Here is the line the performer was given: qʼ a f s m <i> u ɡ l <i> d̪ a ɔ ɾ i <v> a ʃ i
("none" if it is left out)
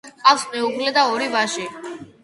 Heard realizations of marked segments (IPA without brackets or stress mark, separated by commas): ɛ, ɛ, v